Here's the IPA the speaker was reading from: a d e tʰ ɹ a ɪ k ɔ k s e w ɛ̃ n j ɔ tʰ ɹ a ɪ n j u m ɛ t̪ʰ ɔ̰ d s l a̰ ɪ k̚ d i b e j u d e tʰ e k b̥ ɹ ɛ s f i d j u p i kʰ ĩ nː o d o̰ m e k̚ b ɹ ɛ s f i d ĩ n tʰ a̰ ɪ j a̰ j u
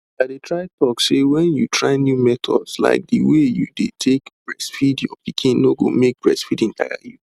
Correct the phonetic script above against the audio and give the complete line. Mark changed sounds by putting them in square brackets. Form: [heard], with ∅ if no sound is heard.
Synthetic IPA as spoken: a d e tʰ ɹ a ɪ [t] ɔ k s e w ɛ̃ n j [u] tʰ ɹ a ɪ n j u m ɛ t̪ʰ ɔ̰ d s l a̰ ɪ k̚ d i [w] e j u d e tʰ e k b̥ ɹ ɛ s f i d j [ɔ] p i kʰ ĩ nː o [ɡ] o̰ m e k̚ b ɹ ɛ s f i d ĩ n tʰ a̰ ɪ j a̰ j u